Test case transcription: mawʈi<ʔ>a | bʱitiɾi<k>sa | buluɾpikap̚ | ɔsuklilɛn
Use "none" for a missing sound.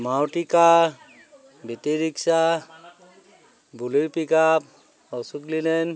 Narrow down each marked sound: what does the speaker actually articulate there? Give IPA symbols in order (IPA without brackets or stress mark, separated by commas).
k, k